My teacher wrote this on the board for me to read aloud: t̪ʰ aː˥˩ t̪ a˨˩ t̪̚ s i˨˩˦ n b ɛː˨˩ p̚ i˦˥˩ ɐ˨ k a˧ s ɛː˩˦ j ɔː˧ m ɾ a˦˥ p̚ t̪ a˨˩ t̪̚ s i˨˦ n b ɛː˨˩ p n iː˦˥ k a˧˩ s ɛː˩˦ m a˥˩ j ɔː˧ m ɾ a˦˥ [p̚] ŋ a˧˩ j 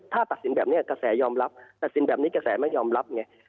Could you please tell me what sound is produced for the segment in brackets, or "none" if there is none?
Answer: p̚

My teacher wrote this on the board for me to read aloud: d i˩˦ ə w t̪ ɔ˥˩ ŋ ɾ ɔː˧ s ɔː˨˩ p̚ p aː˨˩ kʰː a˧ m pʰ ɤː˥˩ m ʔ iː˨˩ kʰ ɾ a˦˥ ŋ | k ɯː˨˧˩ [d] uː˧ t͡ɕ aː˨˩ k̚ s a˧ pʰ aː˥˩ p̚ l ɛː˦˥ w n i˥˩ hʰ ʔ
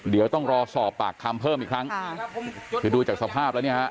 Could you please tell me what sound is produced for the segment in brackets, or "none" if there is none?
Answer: d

